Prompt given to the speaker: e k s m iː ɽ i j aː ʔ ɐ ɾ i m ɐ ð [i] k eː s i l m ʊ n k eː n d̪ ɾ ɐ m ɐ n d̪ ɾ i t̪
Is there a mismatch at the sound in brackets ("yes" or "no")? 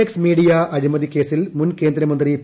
no